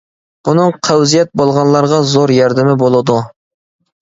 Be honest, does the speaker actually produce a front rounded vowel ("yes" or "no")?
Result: no